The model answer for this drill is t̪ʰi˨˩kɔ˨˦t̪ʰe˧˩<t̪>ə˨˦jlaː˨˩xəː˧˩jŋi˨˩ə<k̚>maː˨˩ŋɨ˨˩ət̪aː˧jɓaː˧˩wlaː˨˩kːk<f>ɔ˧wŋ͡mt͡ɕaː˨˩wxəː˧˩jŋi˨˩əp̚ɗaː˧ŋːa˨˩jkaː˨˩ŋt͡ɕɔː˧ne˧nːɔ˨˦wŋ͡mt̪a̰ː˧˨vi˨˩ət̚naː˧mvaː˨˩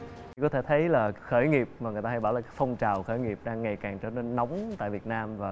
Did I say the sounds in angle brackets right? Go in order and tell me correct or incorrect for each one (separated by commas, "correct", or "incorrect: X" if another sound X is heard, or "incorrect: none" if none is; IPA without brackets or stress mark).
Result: incorrect: t̪ʰ, incorrect: p̚, correct